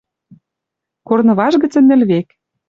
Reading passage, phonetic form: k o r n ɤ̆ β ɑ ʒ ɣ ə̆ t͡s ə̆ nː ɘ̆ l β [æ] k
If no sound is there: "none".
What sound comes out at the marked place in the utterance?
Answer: e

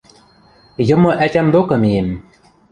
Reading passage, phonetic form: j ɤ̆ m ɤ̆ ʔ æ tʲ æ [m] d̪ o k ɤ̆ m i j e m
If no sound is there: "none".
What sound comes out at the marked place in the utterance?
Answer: m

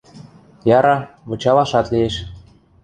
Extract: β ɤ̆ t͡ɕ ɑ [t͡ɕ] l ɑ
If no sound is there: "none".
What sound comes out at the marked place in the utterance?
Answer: none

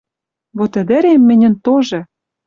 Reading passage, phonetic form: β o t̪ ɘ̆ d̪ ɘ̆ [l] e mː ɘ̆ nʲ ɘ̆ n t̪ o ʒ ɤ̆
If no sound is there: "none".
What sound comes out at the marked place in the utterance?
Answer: ɾ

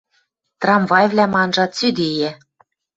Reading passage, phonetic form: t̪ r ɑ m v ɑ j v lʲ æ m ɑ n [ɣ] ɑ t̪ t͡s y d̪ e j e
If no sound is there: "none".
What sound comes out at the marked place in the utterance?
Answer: ʒ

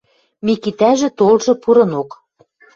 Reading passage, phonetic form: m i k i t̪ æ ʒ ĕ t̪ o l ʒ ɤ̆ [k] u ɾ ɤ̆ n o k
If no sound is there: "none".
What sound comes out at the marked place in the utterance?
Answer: p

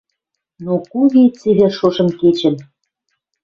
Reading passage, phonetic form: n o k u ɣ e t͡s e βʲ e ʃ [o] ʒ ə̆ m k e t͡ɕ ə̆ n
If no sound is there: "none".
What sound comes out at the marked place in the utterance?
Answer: o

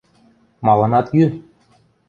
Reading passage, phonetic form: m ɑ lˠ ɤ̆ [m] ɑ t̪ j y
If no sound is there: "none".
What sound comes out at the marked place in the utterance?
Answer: n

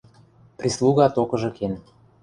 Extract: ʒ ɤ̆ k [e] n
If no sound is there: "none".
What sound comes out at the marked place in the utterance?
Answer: e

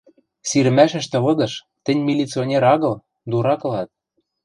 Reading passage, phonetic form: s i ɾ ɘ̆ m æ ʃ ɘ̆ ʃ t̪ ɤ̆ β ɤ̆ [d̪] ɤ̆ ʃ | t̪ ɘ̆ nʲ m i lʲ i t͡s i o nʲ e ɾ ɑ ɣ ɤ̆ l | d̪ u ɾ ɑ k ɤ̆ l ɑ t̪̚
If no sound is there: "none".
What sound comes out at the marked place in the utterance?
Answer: d̪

